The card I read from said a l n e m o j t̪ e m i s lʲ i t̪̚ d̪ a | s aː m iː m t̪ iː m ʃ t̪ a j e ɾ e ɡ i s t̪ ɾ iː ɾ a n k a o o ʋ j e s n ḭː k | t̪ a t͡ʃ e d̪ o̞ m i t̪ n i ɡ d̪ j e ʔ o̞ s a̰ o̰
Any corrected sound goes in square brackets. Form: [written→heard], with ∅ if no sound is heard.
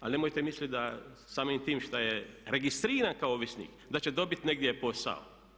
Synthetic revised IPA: a l n e m o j t̪ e m i s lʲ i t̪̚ d̪ a | s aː m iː m t̪ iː m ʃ t̪ a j e ɾ e ɡ i s t̪ ɾ iː ɾ a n k a o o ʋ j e s n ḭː k | [t̪→d̪] a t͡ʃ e d̪ o̞ [m→b] i t̪ n [i→e] ɡ d̪ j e [ʔ→p] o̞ s a̰ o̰